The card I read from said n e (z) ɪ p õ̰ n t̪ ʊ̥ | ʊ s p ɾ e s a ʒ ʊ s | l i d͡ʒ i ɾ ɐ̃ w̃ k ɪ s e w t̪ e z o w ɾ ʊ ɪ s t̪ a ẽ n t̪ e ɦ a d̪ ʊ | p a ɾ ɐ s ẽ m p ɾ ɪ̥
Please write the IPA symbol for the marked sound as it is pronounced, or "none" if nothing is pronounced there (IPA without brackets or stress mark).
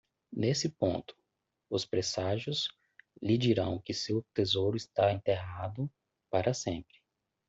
s